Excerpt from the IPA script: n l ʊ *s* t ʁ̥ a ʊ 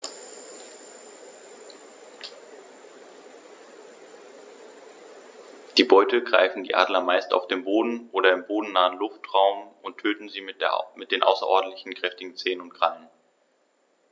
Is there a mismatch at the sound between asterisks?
yes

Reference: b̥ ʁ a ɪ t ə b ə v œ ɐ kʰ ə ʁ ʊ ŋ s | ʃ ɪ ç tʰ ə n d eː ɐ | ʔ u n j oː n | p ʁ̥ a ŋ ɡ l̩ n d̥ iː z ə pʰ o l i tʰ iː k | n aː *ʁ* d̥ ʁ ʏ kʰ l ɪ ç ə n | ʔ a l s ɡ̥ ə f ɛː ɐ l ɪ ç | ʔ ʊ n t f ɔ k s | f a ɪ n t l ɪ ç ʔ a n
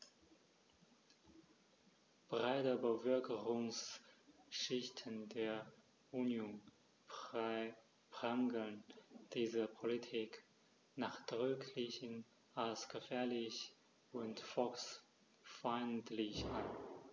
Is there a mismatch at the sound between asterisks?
yes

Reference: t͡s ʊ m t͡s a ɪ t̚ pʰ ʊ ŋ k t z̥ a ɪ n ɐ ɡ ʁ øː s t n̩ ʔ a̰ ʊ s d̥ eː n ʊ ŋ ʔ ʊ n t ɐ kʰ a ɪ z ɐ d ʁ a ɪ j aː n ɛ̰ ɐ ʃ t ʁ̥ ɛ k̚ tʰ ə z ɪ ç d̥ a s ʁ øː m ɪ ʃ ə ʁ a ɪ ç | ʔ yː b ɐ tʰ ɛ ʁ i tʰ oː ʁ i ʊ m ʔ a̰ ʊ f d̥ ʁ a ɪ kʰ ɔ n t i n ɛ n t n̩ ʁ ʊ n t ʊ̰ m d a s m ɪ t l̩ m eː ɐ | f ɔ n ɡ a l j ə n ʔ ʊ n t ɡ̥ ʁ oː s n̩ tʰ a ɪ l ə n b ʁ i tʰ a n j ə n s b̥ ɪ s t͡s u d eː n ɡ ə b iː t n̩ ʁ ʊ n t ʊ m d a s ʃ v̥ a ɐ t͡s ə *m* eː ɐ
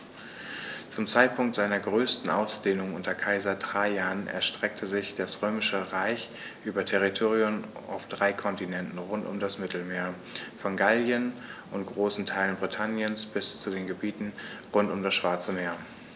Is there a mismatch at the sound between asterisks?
no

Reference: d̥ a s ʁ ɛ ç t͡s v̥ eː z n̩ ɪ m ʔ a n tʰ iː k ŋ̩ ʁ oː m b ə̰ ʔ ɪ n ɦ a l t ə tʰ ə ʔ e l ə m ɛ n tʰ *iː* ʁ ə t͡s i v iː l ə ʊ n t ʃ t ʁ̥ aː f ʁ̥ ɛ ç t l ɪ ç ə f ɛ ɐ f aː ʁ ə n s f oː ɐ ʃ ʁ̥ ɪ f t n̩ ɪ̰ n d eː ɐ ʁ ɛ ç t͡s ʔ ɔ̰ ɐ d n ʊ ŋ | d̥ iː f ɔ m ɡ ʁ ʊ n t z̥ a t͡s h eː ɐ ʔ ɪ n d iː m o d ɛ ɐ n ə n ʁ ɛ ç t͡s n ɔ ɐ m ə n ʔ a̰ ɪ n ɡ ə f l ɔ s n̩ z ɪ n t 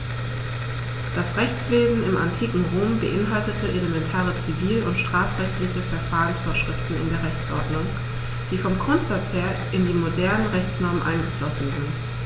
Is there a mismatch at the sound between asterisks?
yes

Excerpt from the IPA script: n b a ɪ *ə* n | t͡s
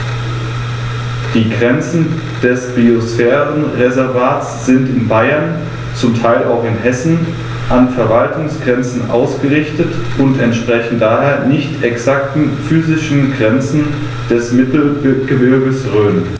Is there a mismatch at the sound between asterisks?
yes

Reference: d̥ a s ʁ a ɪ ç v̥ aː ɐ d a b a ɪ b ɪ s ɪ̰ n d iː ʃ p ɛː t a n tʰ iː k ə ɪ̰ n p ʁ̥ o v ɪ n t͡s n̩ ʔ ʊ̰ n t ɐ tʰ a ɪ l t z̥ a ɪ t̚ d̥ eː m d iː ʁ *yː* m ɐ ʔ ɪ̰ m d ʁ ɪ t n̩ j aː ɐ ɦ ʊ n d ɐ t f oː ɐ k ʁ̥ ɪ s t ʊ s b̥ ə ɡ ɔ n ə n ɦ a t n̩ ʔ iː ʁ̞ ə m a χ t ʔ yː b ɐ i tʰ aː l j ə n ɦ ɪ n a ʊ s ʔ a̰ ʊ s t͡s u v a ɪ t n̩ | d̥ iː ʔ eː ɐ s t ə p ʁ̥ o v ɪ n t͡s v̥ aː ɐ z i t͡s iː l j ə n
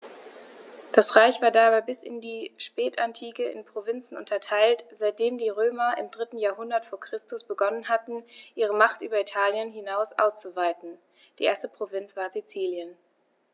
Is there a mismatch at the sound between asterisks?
yes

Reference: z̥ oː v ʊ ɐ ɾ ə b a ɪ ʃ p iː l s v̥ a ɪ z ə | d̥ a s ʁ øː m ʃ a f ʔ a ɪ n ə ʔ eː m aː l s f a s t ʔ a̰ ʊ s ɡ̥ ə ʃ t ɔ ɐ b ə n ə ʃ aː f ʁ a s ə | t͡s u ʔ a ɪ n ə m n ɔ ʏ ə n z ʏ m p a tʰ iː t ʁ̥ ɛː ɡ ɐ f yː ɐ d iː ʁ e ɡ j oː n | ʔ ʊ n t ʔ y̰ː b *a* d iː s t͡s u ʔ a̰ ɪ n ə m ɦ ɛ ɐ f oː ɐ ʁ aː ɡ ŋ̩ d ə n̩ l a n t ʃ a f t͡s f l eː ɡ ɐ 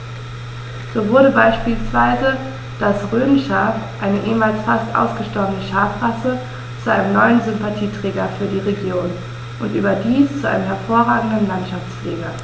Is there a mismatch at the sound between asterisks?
yes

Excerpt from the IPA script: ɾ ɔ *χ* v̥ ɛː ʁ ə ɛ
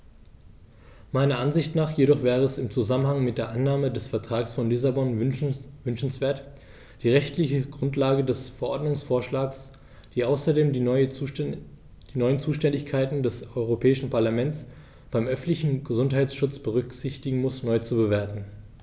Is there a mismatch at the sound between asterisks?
no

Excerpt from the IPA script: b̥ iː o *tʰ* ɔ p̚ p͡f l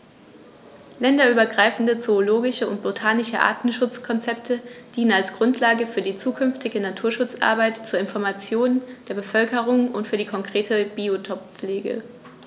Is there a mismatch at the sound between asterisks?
no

